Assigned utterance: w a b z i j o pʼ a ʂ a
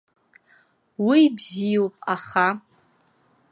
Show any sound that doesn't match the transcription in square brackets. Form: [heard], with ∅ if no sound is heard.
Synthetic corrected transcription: w [i] b z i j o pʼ a [χ] a